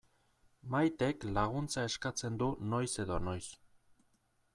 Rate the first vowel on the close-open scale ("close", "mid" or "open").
open